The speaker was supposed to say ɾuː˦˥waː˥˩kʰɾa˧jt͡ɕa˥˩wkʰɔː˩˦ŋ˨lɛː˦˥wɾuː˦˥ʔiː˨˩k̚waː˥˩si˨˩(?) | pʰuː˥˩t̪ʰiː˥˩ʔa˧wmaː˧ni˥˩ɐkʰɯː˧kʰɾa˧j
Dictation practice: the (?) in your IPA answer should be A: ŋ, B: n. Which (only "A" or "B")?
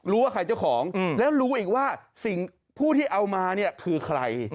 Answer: A